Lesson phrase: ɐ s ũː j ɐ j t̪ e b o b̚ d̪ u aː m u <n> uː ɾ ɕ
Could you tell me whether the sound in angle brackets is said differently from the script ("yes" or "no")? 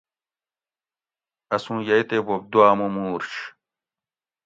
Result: yes